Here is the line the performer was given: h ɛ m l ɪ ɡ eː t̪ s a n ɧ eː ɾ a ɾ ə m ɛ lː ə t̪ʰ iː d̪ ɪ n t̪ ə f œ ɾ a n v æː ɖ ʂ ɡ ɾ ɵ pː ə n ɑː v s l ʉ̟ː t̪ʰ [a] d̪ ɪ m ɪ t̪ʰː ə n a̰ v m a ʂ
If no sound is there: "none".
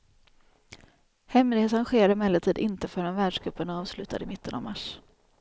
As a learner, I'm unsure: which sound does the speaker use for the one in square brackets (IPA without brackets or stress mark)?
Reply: a